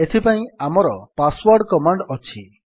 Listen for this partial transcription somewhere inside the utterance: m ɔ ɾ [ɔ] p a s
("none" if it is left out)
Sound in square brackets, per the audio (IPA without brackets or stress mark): ɔ